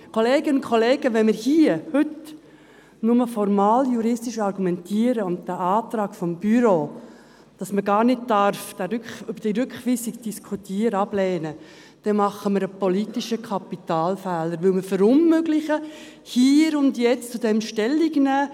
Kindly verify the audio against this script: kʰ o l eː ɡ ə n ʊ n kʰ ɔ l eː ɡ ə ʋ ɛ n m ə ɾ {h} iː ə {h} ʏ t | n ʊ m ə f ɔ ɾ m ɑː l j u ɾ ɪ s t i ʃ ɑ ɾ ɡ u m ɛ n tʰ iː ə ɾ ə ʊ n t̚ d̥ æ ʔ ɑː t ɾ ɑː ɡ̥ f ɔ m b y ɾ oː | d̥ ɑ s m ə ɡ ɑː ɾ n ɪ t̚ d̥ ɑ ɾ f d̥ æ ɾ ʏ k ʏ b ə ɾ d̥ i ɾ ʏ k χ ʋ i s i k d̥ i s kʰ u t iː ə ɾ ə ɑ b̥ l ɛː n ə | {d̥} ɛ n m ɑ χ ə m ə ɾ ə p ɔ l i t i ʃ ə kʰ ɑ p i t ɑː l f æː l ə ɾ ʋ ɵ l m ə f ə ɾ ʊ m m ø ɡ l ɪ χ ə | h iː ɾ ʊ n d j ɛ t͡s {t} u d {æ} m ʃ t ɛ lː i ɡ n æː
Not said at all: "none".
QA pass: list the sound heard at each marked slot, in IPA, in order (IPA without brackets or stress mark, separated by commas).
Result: h, h, d̥, t͡s, ɛ